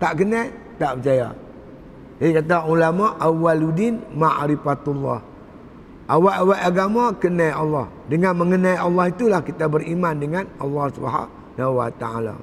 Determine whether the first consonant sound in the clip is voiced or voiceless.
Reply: voiceless